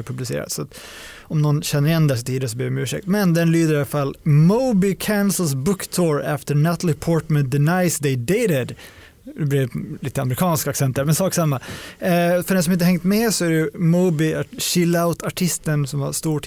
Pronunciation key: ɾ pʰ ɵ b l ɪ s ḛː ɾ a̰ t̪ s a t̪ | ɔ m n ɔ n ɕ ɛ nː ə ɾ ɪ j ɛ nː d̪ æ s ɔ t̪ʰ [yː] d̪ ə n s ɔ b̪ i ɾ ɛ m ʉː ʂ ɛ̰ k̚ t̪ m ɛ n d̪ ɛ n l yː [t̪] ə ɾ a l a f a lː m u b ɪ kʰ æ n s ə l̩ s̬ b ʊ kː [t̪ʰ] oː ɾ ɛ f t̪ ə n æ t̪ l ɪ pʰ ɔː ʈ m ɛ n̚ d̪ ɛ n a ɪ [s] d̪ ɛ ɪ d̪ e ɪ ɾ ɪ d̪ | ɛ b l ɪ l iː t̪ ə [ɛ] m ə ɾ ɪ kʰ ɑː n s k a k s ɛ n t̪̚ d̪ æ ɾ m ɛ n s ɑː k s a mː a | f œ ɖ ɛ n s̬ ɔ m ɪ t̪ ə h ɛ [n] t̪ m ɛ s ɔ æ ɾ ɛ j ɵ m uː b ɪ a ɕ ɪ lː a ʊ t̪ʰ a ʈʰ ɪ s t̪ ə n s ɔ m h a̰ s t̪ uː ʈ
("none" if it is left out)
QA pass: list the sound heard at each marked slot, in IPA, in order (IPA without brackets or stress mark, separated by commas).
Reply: iː, d̪, t̪ʰ, s, a, ŋ